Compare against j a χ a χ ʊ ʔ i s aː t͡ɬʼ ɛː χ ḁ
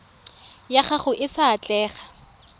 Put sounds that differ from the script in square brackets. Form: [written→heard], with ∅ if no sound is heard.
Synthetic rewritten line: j a χ a χ ʊ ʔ [i→ɪ] s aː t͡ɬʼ ɛː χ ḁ